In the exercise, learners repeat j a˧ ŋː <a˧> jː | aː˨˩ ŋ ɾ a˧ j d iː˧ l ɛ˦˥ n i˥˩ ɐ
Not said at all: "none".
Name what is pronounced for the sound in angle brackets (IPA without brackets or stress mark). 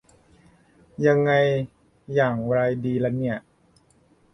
a˧